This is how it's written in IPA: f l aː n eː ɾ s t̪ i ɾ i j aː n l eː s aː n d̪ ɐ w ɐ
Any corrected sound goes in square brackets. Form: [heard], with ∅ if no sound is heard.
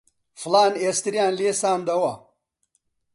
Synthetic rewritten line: f l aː n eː [∅] s t̪ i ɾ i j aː n l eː s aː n d̪ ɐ w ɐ